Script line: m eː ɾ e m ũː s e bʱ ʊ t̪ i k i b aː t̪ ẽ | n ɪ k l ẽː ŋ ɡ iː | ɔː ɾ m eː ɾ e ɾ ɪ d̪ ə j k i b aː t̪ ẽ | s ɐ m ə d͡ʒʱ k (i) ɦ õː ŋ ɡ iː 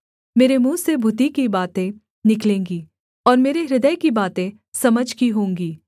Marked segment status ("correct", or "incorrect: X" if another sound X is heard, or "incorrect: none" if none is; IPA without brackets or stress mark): correct